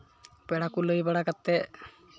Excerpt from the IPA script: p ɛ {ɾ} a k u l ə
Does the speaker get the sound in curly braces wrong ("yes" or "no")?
yes